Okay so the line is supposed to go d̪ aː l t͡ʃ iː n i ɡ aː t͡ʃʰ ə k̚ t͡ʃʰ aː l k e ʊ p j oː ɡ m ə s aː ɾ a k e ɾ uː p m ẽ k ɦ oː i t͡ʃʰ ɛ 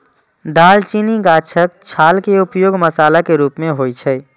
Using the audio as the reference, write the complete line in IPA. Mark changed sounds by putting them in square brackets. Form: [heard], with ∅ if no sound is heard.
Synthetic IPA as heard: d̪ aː l t͡ʃ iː n i ɡ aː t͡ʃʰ ə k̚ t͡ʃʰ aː l k e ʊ p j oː ɡ m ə s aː [l] a k e ɾ uː p m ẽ [∅] ɦ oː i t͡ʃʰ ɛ